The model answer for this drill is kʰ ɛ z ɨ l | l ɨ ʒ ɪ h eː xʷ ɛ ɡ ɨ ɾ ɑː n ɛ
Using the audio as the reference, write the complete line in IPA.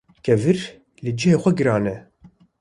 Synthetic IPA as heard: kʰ ɛ v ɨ ɾ | l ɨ d͡ʒ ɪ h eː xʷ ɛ ɡ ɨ ɾ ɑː n ɛ